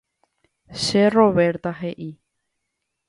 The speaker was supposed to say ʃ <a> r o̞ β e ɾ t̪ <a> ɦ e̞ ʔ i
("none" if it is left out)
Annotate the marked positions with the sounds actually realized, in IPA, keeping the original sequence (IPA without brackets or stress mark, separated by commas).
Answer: e, a